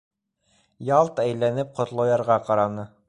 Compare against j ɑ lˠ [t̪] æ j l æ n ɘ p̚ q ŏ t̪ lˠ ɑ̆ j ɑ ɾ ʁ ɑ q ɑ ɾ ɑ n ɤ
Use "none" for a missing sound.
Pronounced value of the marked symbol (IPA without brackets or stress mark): t̪